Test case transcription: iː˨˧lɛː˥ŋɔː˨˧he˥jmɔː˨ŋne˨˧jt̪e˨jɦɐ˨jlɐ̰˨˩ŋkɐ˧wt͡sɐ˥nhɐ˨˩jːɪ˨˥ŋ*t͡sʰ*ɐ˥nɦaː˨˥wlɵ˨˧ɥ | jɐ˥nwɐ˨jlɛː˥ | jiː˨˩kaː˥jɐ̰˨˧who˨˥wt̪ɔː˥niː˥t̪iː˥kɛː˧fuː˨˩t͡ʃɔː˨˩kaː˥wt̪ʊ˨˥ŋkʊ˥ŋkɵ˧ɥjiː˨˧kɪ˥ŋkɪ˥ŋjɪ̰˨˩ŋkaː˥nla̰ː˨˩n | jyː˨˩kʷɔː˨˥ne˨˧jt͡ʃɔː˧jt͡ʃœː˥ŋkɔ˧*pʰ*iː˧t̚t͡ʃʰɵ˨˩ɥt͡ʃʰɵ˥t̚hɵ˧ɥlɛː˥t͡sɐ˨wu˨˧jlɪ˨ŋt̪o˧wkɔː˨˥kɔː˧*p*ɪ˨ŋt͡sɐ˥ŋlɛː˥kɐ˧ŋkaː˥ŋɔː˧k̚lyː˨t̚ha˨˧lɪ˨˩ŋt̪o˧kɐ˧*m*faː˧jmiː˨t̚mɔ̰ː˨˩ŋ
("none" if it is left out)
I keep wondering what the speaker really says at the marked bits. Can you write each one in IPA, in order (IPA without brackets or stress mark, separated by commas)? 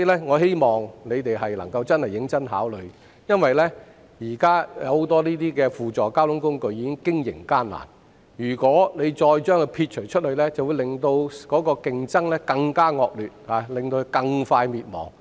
t͡s, pʰ, k, ŋ